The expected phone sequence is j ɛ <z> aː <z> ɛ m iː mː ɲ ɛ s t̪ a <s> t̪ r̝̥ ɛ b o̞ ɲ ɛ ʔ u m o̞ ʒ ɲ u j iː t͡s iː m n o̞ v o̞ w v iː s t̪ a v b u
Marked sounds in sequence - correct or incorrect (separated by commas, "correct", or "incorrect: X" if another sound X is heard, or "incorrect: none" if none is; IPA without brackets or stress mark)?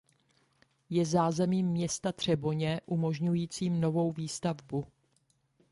correct, correct, incorrect: none